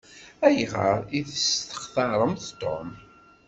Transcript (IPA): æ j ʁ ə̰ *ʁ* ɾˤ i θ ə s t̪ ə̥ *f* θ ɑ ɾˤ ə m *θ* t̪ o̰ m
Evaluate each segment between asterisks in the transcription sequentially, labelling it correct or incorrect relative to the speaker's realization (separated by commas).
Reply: incorrect, incorrect, correct